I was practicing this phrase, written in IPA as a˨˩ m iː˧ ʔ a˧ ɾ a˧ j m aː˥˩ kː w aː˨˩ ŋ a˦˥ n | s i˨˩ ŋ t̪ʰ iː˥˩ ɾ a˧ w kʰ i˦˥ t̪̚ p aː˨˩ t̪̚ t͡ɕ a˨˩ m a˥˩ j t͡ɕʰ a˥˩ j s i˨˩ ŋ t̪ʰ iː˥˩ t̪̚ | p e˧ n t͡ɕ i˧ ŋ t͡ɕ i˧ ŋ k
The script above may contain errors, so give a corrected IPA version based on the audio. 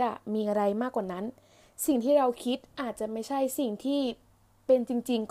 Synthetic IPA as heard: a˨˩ m iː˧ ʔ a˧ ɾ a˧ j m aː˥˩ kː w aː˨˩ n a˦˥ n | s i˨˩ ŋ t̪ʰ iː˥˩ ɾ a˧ w kʰ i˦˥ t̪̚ ʔ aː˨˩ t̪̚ t͡ɕ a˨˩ m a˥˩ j t͡ɕʰ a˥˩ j s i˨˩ ŋ t̪ʰ iː˥˩ | p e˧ n t͡ɕ i˧ ŋ t͡ɕ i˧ ŋ k